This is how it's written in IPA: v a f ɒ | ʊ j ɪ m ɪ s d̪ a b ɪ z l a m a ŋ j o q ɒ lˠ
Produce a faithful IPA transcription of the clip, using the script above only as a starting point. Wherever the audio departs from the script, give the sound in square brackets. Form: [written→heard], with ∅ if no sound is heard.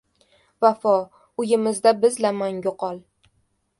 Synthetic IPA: v a f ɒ | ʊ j ɪ m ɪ [s→z] d̪ a b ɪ z l a m a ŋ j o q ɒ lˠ